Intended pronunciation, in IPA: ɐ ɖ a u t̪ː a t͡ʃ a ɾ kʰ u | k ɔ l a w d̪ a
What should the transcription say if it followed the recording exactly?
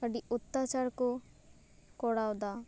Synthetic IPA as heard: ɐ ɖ i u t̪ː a t͡ʃ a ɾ k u | k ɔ ɽ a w d̪ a